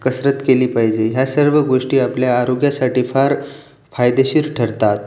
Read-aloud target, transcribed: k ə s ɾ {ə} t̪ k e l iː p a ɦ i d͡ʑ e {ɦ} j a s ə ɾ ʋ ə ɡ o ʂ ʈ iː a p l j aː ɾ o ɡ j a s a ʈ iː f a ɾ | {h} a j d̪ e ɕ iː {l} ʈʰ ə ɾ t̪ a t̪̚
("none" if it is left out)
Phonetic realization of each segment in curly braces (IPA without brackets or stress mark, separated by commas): ə, ɦ, f, ɾ